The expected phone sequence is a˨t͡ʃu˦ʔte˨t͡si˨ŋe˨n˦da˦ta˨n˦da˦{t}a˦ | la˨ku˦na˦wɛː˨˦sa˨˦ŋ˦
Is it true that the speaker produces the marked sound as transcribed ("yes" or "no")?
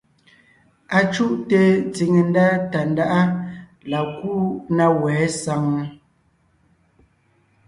no